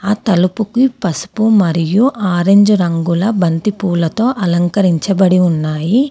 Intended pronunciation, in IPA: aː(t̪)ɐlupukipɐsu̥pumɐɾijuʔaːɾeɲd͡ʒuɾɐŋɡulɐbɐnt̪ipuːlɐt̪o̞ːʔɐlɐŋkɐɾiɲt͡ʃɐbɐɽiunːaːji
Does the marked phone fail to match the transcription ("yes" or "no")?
no